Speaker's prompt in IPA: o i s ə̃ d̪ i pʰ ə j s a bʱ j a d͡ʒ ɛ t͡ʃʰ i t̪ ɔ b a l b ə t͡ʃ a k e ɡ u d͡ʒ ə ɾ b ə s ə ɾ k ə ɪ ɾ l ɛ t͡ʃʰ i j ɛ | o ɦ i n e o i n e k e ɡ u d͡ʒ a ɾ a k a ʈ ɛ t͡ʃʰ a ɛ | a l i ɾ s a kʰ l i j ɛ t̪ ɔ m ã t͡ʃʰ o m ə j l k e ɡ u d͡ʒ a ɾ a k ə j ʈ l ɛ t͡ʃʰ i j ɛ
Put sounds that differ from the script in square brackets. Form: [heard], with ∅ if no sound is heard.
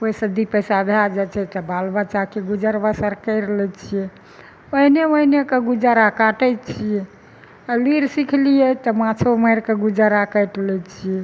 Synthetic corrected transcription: o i s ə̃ d̪ i [p] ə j s a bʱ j a d͡ʒ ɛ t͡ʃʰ [ɛ] t̪ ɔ b a l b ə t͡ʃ a k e ɡ u d͡ʒ ə ɾ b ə s ə ɾ k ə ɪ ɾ l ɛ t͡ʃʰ i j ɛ | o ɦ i n e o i n e k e ɡ u d͡ʒ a ɾ a k a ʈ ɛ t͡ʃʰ [i] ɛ | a l i ɾ s [i] kʰ l i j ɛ t̪ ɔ m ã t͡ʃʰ o m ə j [ɾ] k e ɡ u d͡ʒ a ɾ a k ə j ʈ l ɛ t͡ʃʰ i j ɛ